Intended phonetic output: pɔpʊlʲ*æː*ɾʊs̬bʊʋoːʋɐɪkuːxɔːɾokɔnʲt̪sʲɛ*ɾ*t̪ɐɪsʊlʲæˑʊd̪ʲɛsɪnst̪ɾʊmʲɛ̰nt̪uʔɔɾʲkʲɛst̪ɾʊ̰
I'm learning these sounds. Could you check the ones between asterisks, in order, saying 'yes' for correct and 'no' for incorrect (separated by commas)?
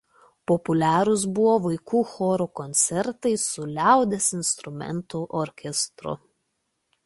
yes, yes